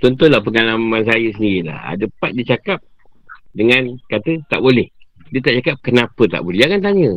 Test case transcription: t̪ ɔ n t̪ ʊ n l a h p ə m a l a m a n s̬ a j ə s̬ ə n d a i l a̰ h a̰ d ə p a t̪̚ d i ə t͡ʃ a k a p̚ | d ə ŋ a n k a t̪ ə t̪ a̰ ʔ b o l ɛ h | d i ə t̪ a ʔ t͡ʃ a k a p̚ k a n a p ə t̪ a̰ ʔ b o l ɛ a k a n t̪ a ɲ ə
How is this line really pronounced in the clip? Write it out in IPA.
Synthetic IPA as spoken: t̪ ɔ n t̪ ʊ n l a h p ə ŋ a l a m a n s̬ a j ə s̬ ə n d i i l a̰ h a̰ d ə p a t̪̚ d i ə t͡ʃ a k a p̚ | d ə ŋ a n k a t̪ ə t̪ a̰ ʔ b o l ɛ h | d i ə t̪ a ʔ t͡ʃ a k a p̚ k ə n a p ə t̪ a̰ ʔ b o l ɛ a k a n t̪ a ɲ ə